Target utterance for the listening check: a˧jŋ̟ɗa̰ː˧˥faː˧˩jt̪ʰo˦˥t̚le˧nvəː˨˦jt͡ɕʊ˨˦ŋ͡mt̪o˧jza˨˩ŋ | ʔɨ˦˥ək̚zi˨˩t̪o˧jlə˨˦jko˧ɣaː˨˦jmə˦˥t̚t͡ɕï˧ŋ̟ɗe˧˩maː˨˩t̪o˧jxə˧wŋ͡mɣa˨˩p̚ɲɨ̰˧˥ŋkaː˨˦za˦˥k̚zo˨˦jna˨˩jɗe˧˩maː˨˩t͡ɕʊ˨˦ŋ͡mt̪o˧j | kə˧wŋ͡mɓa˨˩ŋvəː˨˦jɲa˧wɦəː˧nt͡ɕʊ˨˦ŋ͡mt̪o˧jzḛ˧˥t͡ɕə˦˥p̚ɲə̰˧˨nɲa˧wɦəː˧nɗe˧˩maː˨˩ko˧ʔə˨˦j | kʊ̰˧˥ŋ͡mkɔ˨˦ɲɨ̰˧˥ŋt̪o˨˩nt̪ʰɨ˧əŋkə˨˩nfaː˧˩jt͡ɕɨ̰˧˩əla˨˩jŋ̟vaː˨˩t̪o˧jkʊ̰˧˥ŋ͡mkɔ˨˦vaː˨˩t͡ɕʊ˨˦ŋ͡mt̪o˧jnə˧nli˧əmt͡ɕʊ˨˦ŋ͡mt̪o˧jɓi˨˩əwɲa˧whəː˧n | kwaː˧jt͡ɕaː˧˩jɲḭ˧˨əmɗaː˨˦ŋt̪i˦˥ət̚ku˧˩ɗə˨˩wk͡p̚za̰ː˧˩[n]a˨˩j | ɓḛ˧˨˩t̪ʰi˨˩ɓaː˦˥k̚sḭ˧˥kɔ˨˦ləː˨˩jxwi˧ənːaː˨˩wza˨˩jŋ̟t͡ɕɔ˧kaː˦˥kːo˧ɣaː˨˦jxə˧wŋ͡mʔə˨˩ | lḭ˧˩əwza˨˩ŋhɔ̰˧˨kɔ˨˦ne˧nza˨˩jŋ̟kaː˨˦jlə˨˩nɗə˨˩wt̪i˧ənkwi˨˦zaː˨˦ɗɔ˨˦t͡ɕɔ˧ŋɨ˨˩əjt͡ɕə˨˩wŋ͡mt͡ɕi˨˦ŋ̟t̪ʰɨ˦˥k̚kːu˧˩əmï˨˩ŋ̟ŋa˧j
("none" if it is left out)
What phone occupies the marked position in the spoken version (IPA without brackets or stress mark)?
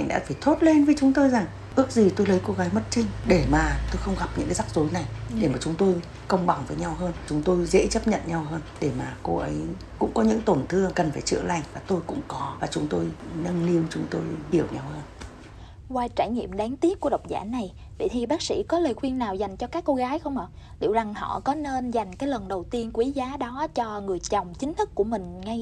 n